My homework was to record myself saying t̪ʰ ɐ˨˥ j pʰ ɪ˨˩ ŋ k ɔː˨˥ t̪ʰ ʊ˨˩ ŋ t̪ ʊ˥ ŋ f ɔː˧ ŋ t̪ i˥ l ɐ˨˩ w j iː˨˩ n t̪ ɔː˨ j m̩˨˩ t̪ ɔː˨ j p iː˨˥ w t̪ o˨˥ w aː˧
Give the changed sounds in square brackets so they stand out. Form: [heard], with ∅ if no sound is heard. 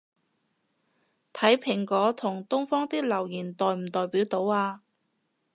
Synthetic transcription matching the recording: t̪ʰ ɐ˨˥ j pʰ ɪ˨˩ ŋ k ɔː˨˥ t̪ʰ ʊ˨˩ ŋ t̪ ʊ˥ ŋ f [ɔː˥] ŋ t̪ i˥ l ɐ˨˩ w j iː˨˩ n t̪ ɔː˨ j m̩˨˩ t̪ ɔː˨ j p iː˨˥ w t̪ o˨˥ w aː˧